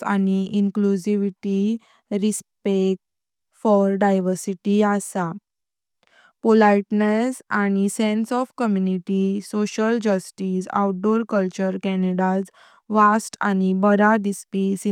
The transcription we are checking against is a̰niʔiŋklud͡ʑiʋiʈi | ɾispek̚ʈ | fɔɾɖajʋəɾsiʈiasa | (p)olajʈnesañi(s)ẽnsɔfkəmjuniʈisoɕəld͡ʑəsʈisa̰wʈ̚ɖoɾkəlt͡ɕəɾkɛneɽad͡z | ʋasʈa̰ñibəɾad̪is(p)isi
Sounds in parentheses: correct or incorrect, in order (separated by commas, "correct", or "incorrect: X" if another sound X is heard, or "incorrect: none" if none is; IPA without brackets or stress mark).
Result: correct, correct, correct